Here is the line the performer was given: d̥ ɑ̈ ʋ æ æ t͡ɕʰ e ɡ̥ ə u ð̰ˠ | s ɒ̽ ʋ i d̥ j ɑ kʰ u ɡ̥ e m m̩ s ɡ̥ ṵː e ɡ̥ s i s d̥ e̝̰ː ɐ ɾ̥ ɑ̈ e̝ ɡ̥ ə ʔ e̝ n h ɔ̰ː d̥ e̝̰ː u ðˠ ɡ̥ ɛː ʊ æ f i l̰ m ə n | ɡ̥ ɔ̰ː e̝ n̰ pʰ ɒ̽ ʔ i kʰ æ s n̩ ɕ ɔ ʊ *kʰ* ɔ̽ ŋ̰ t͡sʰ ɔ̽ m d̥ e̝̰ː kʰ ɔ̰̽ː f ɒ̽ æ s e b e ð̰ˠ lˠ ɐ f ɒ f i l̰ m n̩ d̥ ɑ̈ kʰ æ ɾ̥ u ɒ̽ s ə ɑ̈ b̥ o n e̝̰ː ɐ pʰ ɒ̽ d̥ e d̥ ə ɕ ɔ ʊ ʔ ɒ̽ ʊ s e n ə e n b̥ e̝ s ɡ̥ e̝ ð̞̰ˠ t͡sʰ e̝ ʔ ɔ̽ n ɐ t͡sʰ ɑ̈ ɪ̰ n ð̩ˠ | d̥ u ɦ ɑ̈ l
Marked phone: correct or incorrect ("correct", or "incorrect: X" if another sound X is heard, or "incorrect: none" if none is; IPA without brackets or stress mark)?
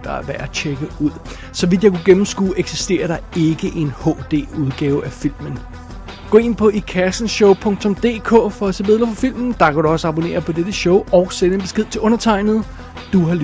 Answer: incorrect: pʰ